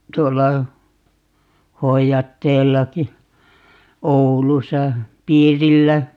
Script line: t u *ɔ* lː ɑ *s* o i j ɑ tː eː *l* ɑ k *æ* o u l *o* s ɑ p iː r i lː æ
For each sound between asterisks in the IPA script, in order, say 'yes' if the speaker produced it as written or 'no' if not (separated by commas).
no, no, no, no, no